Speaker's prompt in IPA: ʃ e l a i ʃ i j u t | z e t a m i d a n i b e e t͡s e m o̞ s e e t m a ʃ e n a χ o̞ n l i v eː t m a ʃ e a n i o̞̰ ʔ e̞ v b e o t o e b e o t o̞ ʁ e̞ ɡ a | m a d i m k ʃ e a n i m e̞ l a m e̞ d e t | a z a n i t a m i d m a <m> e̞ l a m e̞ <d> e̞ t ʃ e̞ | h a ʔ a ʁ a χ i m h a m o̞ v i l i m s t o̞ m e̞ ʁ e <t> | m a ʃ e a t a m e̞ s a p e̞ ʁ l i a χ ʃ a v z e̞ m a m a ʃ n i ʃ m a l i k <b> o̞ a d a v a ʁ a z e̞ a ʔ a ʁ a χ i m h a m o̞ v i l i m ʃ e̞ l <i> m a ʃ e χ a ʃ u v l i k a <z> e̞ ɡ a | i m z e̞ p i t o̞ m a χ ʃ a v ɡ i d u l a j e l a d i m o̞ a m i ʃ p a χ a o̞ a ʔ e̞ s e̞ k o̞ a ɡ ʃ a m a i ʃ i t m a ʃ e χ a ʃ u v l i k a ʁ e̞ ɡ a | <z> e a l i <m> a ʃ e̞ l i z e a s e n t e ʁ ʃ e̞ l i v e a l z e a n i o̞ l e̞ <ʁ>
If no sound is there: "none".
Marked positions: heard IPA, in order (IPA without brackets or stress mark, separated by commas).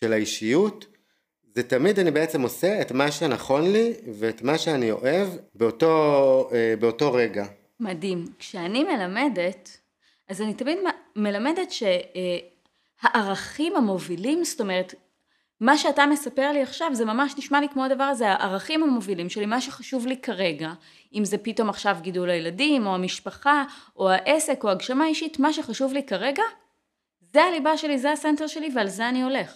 m, d, t, m, i, ʁ, z, b, χ